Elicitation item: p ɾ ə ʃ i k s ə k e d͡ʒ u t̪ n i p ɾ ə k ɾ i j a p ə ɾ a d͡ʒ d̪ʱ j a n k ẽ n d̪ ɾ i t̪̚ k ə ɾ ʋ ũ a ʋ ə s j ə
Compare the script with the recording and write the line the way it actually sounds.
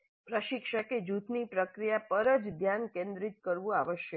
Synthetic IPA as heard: p ɾ ə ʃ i k ʃ ə k e d͡ʒ u t̪ n i p ɾ ə k ɾ i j a p ə ɾ ə d͡ʒ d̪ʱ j a n k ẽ n d̪ ɾ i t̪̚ k ə ɾ ʋ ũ a ʋ ə ʃ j ə